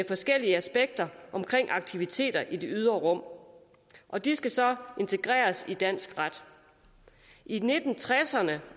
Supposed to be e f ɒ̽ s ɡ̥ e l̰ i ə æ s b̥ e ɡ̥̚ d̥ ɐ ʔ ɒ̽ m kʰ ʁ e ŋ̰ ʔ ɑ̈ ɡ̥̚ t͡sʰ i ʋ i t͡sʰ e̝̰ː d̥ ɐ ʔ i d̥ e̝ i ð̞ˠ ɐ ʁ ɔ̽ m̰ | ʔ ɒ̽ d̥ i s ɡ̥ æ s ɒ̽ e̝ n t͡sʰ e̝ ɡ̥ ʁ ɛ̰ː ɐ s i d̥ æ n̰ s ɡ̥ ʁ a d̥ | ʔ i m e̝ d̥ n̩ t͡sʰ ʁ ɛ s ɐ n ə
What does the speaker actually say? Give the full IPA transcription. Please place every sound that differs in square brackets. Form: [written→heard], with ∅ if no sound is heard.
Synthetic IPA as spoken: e f ɒ̽ s ɡ̥ e l̰ i ə æ s b̥ e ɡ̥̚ d̥ ɐ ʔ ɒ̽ m kʰ ʁ e ŋ̰ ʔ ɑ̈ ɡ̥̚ t͡sʰ i ʋ i t͡sʰ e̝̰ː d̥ ɐ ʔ i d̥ e̝ [i→y] ð̞ˠ ɐ ʁ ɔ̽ m̰ | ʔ ɒ̽ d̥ i s ɡ̥ æ s ɒ̽ e̝ n t͡sʰ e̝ ɡ̥ ʁ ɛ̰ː ɐ s i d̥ æ n̰ s ɡ̥ ʁ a d̥ | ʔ i [m→n] e̝ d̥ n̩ t͡sʰ ʁ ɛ s ɐ n ə